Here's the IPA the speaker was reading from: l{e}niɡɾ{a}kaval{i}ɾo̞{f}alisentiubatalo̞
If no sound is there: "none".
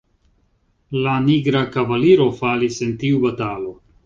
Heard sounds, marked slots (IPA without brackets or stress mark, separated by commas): a, a, i, f